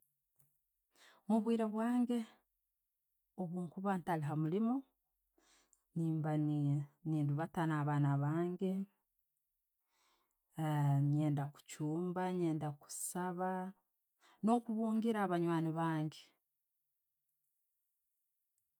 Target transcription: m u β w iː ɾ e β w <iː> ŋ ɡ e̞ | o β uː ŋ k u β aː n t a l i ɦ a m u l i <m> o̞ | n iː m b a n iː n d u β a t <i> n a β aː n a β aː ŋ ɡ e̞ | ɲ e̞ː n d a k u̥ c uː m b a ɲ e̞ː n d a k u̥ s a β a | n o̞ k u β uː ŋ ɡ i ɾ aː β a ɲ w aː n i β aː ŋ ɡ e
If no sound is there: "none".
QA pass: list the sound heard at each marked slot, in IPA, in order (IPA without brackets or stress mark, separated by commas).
aː, m, a